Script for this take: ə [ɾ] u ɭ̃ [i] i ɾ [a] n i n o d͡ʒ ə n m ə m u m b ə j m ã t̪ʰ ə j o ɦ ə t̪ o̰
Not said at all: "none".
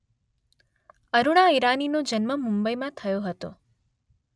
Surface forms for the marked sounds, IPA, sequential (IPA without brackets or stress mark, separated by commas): ɾ, a, a